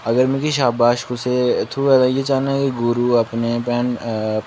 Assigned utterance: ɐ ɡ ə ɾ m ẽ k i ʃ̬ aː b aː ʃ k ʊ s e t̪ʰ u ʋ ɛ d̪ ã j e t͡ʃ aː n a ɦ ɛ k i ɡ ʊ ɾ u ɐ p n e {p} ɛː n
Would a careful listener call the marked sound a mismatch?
no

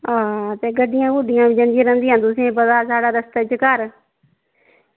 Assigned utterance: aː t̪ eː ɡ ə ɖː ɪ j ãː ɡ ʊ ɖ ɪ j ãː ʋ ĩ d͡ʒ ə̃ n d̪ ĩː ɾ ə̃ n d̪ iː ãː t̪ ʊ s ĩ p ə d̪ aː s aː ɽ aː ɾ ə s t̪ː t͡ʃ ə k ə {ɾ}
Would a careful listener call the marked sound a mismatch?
no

